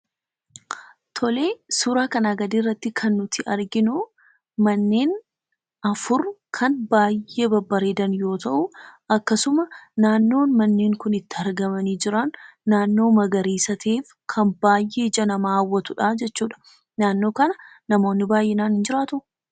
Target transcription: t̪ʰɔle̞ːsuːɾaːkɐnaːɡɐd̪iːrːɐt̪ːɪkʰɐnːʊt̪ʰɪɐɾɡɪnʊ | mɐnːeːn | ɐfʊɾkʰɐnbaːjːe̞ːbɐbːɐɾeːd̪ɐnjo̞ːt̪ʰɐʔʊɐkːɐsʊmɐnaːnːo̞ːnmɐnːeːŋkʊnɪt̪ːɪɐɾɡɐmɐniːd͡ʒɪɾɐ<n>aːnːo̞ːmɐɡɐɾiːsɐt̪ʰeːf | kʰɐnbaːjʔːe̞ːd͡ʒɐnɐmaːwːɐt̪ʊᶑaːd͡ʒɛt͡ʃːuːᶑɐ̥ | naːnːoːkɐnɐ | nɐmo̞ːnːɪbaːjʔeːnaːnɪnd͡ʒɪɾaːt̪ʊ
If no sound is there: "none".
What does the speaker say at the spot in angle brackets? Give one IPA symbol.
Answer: nː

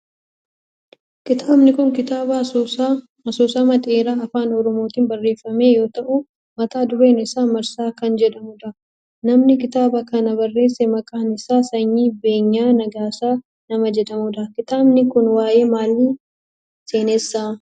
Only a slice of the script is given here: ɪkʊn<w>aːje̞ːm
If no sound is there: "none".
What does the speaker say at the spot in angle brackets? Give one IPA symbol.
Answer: w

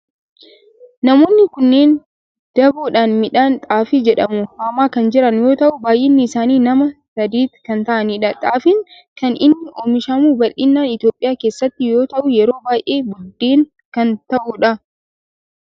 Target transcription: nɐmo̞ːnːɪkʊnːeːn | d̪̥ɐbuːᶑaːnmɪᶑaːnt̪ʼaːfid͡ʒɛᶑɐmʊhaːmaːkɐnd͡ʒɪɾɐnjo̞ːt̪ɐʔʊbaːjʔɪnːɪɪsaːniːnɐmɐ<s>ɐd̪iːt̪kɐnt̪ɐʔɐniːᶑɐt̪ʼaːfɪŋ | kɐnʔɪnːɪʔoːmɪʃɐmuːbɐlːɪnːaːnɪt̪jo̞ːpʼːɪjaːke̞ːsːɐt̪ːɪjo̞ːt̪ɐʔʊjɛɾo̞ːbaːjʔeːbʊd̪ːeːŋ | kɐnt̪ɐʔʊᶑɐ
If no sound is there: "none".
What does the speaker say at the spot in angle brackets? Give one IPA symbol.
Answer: s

